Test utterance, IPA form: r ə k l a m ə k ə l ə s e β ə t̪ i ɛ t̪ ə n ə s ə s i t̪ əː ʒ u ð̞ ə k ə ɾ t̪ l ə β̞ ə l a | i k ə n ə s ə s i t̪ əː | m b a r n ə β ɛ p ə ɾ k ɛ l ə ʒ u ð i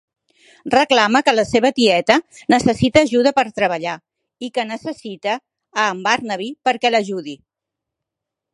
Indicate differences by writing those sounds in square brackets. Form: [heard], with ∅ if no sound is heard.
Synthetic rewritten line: r ə k l a m ə k ə l ə s e β ə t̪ i ɛ t̪ ə n ə s ə s i t̪ əː ʒ u ð̞ ə [p] ə ɾ t̪ [ɾ] ə β̞ ə [ʎ] a | i k ə n ə s ə s i t̪ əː | m b a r n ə β [i] p ə ɾ k ɛ l ə ʒ u ð i